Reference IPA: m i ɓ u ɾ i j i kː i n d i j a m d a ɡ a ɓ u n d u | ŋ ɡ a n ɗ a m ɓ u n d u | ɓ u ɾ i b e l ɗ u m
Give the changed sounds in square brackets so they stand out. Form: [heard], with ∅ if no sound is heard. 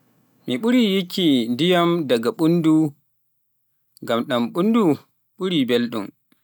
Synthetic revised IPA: m i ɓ u ɾ i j i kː i n d i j a m d a ɡ a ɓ u n d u | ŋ ɡ a [m] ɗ a m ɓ u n d u | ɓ u ɾ i b e l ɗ u m